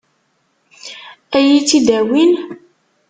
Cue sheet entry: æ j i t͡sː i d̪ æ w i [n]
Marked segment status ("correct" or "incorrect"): correct